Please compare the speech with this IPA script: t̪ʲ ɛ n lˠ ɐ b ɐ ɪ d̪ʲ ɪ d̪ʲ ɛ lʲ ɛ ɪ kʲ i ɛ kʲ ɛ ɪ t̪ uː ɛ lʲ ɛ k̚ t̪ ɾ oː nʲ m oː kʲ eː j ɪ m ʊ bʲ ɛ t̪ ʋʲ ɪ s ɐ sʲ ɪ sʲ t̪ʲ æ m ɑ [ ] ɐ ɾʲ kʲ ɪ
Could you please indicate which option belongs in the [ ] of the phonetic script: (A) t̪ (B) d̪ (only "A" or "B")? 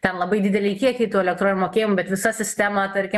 A